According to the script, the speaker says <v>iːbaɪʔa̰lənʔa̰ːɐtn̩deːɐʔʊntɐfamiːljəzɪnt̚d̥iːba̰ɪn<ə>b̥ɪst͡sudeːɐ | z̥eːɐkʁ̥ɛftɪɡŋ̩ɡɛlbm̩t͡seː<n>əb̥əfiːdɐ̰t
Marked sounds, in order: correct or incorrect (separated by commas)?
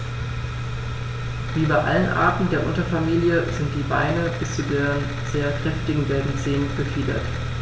correct, correct, correct